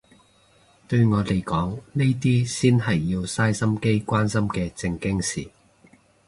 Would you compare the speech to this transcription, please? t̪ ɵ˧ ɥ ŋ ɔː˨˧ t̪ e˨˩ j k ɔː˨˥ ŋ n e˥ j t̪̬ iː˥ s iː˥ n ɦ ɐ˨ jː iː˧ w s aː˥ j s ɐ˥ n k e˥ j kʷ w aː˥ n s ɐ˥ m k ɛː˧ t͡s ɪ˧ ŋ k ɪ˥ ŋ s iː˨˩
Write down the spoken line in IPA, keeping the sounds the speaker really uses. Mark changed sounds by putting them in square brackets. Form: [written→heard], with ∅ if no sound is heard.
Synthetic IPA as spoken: t̪ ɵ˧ ɥ ŋ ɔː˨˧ t̪ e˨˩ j k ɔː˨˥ ŋ n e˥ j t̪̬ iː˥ s iː˥ n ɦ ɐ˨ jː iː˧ w s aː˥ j s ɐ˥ [n→m] k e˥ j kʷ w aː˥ n s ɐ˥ m k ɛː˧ t͡s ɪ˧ ŋ k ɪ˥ ŋ s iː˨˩